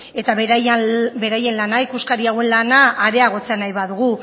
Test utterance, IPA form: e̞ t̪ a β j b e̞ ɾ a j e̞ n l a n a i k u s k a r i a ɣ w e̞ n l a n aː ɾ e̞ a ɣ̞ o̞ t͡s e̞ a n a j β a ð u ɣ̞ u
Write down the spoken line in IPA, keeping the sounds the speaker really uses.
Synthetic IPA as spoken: e̞ t̪ a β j b e̞ ɾ a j e̞ n l a n a i k u s k a ɾ i a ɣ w e̞ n l a n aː ɾ e̞ a ɣ̞ o̞ t͡s e̞ a n a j β a ð u ɣ̞ u